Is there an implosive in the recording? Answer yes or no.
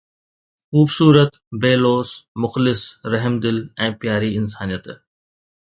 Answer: no